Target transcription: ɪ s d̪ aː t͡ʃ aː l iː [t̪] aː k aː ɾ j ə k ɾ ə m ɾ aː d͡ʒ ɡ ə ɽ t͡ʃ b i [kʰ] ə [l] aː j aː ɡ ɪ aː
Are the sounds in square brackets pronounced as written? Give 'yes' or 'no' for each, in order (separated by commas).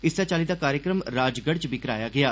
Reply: no, no, no